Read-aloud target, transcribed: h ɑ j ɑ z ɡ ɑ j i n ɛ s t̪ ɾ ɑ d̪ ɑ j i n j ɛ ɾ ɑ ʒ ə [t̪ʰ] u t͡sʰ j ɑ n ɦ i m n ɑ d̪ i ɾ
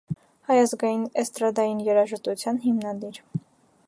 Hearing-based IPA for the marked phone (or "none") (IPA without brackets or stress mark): t̪